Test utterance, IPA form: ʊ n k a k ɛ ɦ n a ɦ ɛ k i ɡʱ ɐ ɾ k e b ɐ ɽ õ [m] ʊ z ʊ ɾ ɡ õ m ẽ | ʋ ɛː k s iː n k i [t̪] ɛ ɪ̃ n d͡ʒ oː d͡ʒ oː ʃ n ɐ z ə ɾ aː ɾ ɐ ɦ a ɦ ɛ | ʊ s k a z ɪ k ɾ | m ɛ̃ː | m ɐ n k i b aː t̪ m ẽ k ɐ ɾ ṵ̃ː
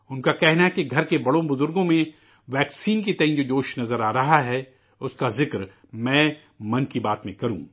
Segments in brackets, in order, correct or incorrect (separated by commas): incorrect, correct